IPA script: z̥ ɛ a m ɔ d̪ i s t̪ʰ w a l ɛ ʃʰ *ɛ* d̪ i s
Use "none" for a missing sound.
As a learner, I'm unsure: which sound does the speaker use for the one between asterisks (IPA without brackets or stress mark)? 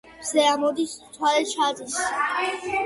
a